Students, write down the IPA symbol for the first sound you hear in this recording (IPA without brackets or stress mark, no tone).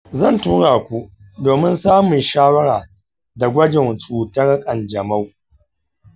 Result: z